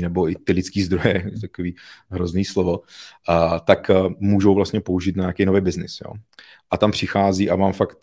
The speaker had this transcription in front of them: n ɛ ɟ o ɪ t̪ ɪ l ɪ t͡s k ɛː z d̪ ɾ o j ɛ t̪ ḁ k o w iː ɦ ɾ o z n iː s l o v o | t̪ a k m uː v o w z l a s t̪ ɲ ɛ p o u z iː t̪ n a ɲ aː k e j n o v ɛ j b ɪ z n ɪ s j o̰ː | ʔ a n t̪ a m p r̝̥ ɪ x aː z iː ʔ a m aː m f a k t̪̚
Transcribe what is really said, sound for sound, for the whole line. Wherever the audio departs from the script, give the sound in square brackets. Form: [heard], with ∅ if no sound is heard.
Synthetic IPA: n ɛ [b] o ɪ t̪ ɪ l ɪ t͡s k [iː] z d̪ ɾ o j ɛ t̪ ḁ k o [v] iː ɦ ɾ o z n iː s l o v o | t̪ a k m uː [ʒ] o w [v] l a s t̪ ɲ ɛ p o u [ʒ] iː t̪ n a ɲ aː k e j n o v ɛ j b ɪ z n ɪ s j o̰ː | ʔ a [∅] t̪ a m p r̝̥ ɪ x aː z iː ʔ a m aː m f a k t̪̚